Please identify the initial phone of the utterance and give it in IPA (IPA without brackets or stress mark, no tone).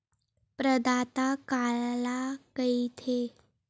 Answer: p